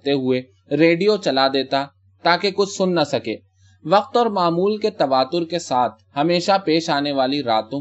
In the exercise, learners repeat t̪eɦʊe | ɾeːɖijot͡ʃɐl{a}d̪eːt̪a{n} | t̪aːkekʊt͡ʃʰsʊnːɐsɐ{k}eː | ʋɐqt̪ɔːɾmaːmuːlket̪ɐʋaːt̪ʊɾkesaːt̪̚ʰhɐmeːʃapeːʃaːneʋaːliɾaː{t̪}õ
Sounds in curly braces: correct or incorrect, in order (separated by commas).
correct, incorrect, correct, correct